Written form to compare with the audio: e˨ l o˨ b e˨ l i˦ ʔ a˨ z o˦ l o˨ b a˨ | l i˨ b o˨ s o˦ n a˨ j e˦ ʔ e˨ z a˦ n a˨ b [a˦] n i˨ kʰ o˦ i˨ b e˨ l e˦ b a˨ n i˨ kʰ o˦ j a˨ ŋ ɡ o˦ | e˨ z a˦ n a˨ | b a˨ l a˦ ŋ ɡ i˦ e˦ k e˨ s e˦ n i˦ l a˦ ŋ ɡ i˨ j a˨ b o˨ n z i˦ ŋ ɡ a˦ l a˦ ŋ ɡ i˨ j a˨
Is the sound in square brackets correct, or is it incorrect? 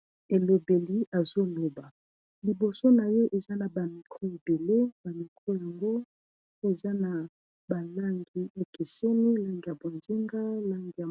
incorrect